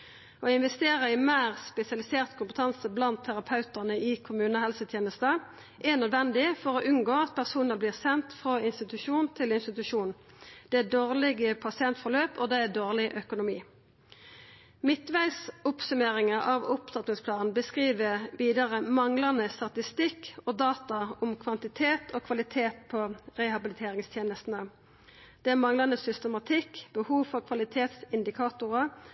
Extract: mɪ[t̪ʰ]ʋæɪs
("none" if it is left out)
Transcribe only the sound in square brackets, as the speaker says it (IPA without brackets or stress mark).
t̪